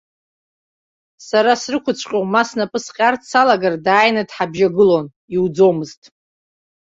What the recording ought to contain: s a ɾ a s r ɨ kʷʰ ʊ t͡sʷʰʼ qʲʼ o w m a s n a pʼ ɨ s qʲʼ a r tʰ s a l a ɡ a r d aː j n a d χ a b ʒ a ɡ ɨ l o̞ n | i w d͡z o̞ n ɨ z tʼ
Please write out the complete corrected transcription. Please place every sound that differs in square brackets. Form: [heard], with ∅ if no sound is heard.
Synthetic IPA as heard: s a ɾ a s r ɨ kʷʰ ʊ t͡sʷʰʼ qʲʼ o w m a s n a pʼ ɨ s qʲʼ a r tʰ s a l a ɡ a r d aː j n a d [ħ] a b ʒ a ɡ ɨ l o̞ n | i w d͡z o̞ [m] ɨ z tʼ